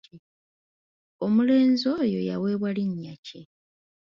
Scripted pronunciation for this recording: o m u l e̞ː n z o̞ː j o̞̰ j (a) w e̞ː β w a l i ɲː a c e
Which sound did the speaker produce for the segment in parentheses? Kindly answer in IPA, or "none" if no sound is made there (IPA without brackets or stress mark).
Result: a